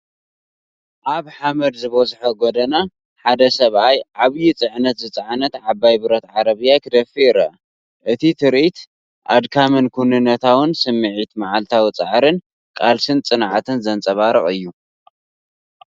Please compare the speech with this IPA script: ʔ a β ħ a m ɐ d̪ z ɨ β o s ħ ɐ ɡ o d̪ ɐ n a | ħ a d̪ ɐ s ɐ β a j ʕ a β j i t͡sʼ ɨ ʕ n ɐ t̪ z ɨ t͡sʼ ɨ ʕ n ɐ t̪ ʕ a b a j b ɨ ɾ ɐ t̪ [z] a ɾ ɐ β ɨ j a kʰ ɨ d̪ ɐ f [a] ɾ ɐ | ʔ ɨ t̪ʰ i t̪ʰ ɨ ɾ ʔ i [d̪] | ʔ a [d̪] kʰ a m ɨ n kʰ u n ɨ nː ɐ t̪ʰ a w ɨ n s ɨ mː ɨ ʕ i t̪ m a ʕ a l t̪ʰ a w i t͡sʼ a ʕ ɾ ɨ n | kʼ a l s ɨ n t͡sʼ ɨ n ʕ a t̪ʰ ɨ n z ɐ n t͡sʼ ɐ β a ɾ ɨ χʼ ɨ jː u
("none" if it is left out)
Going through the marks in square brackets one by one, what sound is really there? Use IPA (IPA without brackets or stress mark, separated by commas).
ʕ, i, t̪, d̪